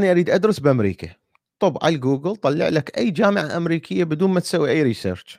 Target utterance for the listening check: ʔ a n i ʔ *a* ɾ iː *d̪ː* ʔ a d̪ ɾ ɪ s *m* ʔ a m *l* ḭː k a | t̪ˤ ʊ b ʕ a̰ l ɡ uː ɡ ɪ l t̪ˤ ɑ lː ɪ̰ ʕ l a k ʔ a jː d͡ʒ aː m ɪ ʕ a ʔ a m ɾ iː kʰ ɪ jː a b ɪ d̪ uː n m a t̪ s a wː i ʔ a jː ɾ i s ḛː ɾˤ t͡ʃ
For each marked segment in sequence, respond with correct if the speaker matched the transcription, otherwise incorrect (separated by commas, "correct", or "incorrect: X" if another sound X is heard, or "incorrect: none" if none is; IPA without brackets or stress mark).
correct, incorrect: d̪, incorrect: b, incorrect: ɾ